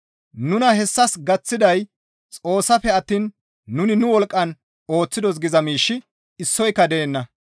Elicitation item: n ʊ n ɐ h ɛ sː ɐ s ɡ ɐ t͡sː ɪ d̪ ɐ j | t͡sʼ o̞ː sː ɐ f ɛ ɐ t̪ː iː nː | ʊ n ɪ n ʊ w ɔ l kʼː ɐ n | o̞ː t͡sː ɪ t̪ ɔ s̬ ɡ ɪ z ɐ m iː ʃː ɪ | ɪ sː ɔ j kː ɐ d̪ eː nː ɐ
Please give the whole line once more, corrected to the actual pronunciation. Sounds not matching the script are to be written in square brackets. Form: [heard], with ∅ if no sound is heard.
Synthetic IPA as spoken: n ʊ n ɐ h ɛ sː ɐ s ɡ ɐ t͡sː ɪ d̪ ɐ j | t͡sʼ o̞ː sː ɐ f ɛ ɐ t̪ː iː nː | ʊ n ɪ n ʊ w ɔ l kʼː ɐ n | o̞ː t͡sː ɪ [d̪] ɔ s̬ ɡ ɪ z ɐ m iː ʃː ɪ | ɪ sː ɔ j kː ɐ d̪ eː nː ɐ